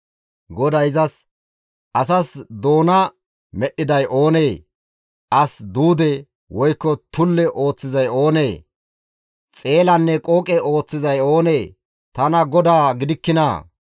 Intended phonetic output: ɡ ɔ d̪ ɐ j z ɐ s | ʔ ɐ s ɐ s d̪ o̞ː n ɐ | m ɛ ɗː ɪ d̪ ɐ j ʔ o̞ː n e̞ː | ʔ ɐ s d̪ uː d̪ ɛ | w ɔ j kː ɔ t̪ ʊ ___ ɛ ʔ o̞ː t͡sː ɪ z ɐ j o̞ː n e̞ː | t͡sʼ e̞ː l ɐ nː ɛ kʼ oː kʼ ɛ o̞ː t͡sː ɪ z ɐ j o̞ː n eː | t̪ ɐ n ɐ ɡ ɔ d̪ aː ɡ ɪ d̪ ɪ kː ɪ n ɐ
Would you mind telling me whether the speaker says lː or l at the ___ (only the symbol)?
lː